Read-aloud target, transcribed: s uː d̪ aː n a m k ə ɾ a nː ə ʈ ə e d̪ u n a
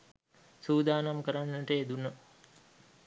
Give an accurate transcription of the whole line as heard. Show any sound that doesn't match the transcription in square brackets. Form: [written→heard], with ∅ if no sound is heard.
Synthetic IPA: s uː d̪ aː n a m k ə ɾ a nː ə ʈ ə e d̪ u n [a→ə]